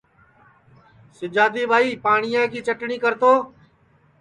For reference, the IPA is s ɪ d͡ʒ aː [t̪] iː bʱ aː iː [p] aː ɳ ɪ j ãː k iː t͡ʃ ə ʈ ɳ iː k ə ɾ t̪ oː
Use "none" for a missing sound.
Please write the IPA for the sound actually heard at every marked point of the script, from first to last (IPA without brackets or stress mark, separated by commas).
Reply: d̪, p